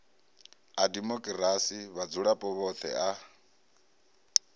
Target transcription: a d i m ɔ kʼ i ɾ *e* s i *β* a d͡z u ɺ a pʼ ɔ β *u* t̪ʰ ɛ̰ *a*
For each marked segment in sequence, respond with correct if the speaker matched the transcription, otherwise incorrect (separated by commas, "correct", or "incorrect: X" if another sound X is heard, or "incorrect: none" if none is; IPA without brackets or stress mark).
incorrect: a, correct, incorrect: ɔ, correct